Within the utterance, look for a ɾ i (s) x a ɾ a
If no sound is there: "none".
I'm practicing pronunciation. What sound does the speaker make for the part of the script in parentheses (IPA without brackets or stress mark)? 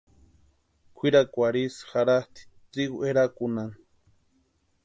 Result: s